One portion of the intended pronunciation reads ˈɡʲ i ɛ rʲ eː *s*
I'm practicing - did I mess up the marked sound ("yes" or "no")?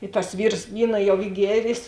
no